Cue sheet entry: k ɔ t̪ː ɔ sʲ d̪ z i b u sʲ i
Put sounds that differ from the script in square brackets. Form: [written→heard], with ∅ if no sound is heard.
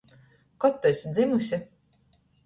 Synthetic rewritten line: k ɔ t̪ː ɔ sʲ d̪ z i [b→m] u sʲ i